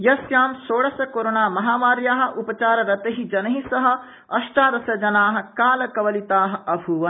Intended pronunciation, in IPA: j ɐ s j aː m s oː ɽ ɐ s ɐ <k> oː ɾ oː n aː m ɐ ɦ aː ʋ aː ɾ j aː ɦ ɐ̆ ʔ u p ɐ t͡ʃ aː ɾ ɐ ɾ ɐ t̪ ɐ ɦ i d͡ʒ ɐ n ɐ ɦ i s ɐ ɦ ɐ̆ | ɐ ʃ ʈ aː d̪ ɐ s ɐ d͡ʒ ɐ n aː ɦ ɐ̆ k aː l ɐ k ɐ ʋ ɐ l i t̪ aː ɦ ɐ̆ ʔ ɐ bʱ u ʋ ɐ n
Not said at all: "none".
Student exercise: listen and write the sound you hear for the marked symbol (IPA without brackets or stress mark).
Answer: k